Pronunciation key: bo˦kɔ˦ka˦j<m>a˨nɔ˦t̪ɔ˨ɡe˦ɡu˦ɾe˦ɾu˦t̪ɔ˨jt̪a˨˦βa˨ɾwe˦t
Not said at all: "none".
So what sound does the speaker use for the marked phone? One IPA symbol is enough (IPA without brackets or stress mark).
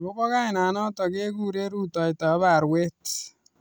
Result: n